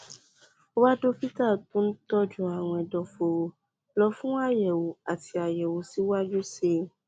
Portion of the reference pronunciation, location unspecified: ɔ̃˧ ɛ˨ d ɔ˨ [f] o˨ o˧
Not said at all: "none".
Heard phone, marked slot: f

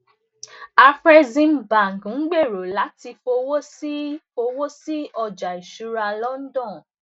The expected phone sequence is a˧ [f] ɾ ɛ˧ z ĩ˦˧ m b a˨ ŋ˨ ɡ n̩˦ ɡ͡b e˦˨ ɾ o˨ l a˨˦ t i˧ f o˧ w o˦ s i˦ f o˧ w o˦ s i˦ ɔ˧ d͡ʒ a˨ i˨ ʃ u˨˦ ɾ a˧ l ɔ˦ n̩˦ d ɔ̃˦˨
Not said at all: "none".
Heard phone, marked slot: f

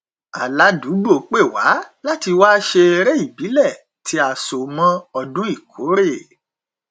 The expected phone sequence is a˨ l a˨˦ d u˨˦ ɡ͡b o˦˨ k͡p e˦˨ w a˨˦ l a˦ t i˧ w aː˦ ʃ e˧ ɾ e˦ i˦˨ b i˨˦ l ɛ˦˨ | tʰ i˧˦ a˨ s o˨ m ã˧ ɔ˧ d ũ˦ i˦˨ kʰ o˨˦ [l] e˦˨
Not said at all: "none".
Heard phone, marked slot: ɾ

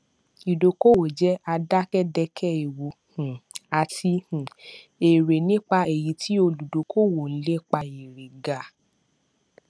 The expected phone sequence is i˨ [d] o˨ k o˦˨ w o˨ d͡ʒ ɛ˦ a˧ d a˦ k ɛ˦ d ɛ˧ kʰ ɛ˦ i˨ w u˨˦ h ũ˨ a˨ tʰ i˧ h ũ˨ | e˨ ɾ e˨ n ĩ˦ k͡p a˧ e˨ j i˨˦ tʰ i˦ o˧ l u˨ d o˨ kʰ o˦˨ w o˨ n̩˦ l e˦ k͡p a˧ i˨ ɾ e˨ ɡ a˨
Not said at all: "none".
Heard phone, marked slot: d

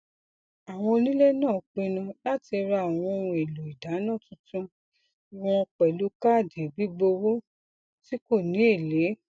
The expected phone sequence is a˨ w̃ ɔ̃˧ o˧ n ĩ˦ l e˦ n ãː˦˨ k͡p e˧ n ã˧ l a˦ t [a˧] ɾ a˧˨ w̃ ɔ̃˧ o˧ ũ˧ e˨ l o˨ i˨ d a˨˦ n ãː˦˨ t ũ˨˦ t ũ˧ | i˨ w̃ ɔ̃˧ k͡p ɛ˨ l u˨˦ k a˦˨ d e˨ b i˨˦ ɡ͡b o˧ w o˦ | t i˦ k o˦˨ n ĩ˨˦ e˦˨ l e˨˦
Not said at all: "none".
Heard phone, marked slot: i˧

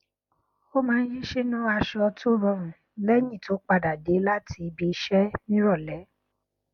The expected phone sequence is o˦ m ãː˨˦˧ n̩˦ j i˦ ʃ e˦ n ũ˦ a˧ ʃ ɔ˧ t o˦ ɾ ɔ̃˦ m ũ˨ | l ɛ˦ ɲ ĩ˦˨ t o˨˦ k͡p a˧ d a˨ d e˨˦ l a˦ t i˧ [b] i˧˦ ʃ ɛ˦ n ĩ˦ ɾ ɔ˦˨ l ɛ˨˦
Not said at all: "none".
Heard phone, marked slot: b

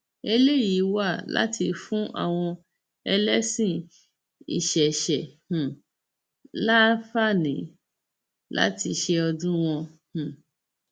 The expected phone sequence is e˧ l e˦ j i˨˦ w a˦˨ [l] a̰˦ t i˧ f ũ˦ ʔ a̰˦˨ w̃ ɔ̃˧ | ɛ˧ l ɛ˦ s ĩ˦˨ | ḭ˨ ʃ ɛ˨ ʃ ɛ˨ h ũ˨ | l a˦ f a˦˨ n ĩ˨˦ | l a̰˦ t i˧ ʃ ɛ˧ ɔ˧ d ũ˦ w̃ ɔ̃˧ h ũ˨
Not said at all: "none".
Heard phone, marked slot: l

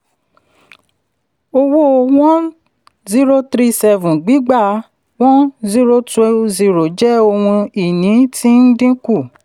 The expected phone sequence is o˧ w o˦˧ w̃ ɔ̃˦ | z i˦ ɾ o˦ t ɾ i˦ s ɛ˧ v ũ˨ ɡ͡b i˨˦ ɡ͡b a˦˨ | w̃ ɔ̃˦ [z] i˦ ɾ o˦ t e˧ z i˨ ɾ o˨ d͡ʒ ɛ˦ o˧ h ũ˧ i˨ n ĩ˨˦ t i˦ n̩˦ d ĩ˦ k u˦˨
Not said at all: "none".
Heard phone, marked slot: z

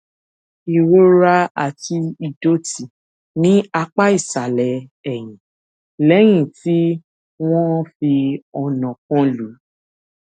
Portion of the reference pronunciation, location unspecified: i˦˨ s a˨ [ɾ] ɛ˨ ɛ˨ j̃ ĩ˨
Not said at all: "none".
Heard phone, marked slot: l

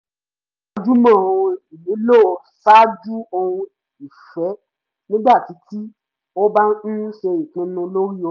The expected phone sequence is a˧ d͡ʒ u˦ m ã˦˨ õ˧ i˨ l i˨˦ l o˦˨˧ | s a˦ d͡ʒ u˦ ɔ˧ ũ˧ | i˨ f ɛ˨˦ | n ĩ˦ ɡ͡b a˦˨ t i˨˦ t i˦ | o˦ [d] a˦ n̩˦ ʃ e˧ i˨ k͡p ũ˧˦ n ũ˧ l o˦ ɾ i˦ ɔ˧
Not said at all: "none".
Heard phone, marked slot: b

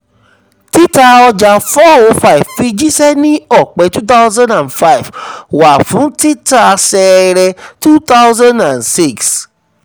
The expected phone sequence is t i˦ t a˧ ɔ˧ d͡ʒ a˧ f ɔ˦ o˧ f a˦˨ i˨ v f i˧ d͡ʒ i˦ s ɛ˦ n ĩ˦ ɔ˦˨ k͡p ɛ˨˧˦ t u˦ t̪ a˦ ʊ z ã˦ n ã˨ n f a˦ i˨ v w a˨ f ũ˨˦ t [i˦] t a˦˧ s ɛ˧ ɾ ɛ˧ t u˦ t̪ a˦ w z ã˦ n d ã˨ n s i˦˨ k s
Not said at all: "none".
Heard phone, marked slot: i˦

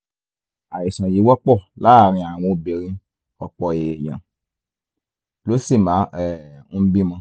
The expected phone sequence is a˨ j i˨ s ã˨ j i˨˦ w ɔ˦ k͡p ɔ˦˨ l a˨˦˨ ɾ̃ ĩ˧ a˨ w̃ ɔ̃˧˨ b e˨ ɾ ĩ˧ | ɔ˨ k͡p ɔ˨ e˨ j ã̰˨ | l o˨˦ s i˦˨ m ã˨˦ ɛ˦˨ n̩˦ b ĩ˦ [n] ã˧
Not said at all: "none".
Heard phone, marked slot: m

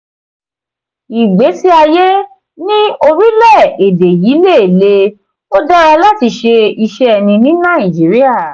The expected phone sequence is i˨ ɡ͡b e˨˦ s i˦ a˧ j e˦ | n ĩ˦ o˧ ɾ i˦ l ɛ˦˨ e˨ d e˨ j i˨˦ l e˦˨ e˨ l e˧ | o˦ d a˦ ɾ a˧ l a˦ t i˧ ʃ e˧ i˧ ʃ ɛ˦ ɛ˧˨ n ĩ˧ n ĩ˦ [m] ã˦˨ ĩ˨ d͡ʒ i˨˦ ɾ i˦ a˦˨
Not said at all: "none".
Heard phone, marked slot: n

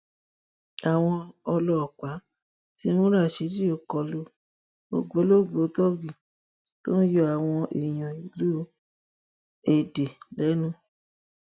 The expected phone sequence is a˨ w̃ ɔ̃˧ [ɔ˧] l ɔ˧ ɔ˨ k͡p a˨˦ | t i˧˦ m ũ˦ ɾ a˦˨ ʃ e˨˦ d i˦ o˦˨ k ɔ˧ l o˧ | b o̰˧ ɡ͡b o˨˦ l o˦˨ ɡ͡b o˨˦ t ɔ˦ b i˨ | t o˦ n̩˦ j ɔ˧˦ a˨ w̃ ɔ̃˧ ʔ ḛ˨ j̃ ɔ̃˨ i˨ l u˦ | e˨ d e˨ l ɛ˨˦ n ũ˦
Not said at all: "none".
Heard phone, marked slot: ɔ˧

